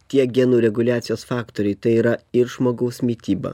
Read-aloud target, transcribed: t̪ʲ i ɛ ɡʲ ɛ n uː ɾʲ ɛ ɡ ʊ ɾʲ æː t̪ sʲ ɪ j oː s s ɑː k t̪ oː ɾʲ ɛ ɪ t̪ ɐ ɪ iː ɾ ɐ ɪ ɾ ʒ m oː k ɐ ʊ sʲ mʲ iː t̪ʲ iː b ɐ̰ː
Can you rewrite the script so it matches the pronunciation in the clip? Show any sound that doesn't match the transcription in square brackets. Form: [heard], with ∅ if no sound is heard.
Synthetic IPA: t̪ʲ i ɛ ɡʲ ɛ n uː ɾʲ ɛ ɡ ʊ [lʲ] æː t̪ sʲ ɪ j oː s [f] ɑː k t̪ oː ɾʲ ɛ ɪ t̪ ɐ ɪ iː ɾ ɐ ɪ ɾ ʒ m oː [ɡ] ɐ ʊ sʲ mʲ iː t̪ʲ iː b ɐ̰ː